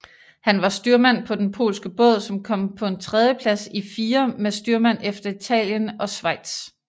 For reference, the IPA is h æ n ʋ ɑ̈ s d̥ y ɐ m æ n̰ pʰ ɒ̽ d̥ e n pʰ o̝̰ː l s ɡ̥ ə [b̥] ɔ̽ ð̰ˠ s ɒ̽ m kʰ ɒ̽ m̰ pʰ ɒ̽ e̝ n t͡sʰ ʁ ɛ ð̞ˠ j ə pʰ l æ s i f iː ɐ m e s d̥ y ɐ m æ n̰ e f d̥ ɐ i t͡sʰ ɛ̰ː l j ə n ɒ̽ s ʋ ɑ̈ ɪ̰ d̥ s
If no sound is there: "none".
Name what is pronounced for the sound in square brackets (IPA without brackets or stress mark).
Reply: b̥